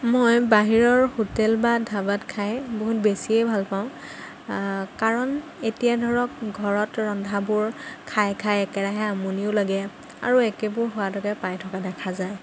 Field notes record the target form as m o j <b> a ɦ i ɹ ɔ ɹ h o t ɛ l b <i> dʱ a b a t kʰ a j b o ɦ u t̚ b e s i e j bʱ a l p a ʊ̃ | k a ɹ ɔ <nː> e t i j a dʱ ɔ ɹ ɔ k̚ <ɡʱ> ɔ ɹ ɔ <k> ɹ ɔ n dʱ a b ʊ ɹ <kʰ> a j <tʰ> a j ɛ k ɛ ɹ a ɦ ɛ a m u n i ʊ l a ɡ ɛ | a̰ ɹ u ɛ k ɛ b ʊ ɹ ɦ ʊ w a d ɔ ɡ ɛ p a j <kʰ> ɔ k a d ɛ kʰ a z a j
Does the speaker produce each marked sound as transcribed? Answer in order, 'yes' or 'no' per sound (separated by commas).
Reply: yes, no, no, yes, no, yes, no, no